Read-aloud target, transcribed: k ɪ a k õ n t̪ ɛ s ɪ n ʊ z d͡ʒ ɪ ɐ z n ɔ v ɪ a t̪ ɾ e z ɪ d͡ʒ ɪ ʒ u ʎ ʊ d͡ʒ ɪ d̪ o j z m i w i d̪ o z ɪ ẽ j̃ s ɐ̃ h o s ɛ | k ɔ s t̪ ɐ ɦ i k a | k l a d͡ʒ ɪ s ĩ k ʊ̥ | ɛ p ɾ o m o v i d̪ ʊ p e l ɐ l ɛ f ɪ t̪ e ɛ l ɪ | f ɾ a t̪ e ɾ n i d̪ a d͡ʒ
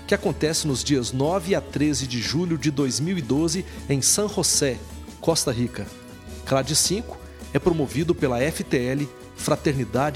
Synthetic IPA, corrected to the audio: k ɪ a k õ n t̪ ɛ s ɪ n ʊ z d͡ʒ i ɐ z n ɔ v ɪ a t̪ ɾ e z ɪ d͡ʒ ɪ ʒ u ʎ ʊ d͡ʒ ɪ d̪ o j z m i w i d̪ o z ɪ ẽ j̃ s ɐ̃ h o s ɛ | k ɔ s t̪ ɐ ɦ i k ɐ | k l a d͡ʒ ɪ s ĩ k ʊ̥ | ɛ p ɾ o m o v i d̪ ʊ p e l ɐ ɛ f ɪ t̪ e ɛ l ɪ | f ɾ a t̪ e ɾ n i d̪ a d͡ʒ